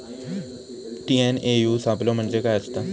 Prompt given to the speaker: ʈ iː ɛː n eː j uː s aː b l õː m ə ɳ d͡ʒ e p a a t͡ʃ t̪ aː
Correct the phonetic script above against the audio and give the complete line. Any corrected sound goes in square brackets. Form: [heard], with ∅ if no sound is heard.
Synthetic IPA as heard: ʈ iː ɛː n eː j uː s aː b l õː m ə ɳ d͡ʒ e [k] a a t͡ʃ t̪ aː